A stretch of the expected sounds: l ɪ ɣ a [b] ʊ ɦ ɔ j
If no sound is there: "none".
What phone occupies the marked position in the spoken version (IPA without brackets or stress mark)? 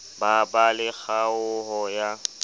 none